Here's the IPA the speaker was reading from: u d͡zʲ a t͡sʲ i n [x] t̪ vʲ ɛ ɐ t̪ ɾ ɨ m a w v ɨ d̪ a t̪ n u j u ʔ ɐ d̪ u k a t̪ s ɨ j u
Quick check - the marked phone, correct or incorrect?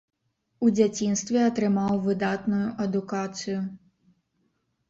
incorrect